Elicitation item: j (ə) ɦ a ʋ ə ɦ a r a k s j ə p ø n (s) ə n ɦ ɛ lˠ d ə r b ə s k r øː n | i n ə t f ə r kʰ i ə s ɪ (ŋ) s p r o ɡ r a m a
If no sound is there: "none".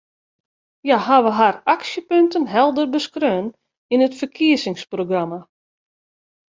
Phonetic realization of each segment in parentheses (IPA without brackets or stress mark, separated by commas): a, t, ŋ